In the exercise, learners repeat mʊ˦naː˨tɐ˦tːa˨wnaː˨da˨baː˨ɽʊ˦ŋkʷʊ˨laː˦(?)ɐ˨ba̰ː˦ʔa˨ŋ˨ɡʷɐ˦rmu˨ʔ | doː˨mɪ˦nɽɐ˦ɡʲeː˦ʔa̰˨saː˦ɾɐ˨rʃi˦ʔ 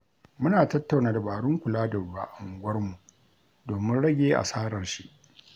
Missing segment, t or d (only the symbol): d